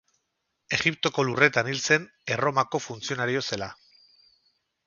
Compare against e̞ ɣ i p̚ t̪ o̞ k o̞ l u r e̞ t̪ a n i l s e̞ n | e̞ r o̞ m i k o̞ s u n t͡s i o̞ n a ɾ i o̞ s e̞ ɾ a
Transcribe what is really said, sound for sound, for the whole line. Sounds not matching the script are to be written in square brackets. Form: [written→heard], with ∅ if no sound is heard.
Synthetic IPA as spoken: e̞ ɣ i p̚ t̪ o̞ k o̞ l u r e̞ t̪ a n i l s e̞ n | e̞ r o̞ m [i→a] k o̞ [s→f] u n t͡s i o̞ n a ɾ i o̞ s e̞ [ɾ→l] a